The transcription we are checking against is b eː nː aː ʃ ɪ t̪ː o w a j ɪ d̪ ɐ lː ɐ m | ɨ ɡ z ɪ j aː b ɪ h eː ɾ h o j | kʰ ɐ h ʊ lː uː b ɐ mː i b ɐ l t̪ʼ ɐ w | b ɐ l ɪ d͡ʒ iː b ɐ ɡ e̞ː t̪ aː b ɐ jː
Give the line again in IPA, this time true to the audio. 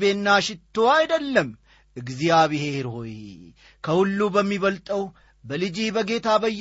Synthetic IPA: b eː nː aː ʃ ɪ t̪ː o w a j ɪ d̪ ɐ lː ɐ m | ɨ ɡ z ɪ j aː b ɪ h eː ɾ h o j | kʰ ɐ h ʊ lː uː b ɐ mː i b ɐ l t̪ʼ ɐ w | b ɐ l ɪ d͡ʒ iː b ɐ ɡ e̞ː t̪ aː b ɐ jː